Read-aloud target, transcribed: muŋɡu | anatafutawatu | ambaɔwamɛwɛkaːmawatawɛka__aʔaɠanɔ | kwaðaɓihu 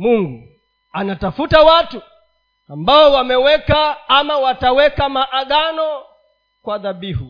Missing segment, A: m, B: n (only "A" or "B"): A